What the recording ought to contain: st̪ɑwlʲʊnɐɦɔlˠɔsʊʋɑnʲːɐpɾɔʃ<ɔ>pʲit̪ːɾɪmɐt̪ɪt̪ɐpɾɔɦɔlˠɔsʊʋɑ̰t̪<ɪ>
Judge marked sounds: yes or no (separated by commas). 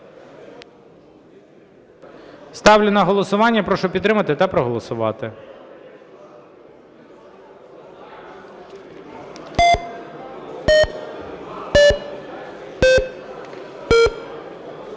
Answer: yes, yes